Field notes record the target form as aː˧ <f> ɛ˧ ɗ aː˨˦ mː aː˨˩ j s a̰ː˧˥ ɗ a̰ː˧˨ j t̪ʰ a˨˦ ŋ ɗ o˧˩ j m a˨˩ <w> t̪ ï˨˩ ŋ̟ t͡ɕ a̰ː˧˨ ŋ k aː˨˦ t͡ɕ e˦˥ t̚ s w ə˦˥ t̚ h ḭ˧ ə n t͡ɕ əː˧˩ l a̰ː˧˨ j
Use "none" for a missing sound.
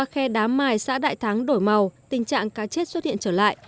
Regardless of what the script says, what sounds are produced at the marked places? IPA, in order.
x, w

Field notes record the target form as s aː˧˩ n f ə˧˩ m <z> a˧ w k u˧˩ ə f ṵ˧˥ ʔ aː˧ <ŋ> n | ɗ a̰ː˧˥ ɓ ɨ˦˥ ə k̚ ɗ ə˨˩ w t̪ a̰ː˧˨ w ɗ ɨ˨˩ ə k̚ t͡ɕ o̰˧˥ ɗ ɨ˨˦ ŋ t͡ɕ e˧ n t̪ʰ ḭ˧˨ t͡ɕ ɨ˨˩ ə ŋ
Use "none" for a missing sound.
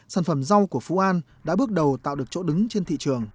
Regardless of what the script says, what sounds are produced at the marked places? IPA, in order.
z, none

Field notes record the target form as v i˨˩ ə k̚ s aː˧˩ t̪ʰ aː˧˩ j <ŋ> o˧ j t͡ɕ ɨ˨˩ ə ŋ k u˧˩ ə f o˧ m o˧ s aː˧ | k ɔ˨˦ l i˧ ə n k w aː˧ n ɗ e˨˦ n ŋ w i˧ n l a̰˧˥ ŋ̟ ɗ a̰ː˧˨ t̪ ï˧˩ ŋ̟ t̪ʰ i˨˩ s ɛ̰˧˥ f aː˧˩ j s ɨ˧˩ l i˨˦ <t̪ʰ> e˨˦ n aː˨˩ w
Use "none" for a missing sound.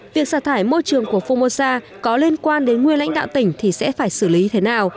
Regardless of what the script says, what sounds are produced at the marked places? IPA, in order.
m, t̪ʰ

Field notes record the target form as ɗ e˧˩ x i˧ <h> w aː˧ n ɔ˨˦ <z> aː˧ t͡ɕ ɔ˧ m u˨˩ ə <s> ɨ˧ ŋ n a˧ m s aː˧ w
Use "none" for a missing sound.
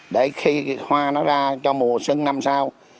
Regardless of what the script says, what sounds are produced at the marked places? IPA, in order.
h, z, s

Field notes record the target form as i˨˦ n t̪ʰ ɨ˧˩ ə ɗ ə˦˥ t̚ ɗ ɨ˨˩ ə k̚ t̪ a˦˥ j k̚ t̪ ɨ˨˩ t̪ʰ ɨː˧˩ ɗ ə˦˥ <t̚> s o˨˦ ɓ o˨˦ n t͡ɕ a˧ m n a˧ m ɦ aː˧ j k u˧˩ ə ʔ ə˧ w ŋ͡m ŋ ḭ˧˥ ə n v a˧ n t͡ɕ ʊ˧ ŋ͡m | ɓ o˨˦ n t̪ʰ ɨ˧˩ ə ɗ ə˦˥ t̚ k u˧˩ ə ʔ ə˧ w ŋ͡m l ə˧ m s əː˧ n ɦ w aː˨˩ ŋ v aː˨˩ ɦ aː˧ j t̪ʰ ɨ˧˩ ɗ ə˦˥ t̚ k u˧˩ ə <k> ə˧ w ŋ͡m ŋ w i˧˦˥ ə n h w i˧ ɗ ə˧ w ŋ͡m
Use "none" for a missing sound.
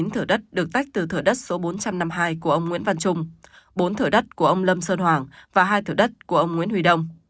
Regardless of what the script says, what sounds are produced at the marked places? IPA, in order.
t̚, ʔ

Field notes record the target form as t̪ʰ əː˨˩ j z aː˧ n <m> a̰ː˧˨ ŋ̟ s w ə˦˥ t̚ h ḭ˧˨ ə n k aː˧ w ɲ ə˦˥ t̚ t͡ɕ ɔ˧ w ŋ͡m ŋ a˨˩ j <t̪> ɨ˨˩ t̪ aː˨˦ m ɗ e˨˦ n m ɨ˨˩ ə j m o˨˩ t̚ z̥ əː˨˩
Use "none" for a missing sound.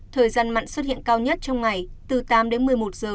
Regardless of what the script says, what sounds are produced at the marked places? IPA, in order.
m, t̪

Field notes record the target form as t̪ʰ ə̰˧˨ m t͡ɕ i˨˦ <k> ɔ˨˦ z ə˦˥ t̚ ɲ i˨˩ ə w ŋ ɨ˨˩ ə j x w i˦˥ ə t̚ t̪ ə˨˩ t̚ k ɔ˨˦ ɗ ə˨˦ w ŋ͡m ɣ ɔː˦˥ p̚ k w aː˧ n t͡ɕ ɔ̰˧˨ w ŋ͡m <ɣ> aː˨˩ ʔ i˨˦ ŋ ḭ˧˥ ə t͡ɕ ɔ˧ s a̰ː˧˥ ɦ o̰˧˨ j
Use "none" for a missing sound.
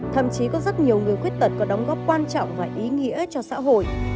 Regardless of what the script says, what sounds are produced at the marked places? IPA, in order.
k, v

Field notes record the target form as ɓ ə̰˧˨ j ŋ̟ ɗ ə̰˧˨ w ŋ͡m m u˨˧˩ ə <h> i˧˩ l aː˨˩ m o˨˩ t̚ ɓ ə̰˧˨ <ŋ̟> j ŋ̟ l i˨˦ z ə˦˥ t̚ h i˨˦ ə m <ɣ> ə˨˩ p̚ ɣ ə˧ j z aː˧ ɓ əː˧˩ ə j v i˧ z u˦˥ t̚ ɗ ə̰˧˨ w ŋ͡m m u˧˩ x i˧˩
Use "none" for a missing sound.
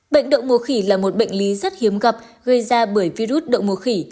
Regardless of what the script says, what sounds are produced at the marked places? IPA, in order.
x, none, ɣ

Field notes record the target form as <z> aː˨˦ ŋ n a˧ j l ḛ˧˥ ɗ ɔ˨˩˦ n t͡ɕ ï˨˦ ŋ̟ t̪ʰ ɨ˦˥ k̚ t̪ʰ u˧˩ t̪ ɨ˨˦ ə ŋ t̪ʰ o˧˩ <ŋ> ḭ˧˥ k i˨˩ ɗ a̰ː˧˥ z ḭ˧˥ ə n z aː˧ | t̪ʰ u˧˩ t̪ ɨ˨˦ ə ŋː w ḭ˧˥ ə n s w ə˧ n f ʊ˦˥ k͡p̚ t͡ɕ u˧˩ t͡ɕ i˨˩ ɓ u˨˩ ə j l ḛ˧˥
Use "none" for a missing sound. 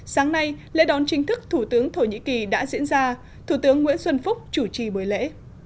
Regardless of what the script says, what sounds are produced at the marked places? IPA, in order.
s, ɲ

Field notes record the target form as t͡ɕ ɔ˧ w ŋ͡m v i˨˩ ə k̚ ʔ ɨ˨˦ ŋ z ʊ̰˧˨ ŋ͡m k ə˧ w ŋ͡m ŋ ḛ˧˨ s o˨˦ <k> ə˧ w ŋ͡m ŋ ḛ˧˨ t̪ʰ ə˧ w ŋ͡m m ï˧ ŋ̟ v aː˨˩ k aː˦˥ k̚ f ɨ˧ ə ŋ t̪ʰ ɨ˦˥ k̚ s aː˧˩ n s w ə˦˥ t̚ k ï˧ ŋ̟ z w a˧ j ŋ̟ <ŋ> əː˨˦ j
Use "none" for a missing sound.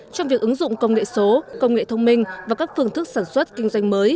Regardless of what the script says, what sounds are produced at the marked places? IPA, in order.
k, m

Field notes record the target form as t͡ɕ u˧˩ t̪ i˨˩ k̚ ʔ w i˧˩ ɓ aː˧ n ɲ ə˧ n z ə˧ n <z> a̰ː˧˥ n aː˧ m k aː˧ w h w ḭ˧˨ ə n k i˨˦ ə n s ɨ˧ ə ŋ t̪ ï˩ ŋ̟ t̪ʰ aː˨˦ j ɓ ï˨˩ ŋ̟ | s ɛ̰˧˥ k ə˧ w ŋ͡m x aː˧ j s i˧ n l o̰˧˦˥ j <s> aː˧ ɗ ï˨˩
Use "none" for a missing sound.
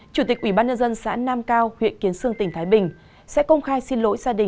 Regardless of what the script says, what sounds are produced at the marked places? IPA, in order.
s, z

